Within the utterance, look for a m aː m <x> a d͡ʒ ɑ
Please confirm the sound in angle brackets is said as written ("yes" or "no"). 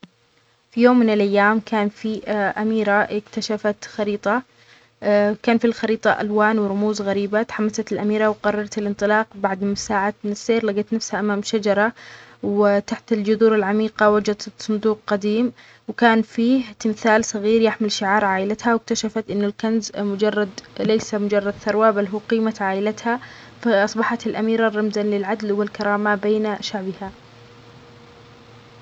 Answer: no